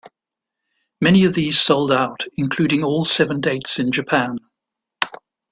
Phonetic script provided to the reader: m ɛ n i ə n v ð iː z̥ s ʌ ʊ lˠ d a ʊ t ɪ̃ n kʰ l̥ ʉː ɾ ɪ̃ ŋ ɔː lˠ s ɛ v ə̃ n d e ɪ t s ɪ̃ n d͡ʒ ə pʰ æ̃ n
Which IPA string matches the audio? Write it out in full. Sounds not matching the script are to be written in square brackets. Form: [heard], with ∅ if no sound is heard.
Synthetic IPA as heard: m ɛ n i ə [∅] v ð iː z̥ s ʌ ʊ lˠ d a ʊ t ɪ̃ n kʰ l̥ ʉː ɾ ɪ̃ ŋ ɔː lˠ s ɛ v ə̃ n d e ɪ t s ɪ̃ n d͡ʒ ə pʰ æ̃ n